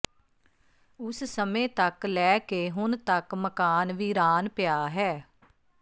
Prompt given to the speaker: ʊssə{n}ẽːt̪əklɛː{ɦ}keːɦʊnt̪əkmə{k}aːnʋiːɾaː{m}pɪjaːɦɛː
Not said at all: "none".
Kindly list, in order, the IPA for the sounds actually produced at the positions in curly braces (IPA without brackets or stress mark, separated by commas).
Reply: m, none, k, n